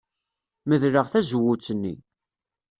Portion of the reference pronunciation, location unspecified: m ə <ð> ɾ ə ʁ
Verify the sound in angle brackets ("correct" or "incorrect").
correct